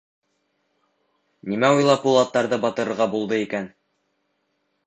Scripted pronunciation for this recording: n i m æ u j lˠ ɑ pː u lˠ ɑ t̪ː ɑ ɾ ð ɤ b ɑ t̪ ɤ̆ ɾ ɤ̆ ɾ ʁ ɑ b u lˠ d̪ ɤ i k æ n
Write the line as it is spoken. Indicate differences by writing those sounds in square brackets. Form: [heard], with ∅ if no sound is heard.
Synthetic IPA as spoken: n i m æ u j lˠ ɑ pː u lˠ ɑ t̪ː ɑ ɾ ð ɤ b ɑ t̪ ɤ̆ ɾ ɤ̆ ɾ ʁ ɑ b u lˠ d̪ ɤ i k æ n